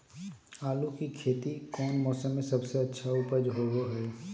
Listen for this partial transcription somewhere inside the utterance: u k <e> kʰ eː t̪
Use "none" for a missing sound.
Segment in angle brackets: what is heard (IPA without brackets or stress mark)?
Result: i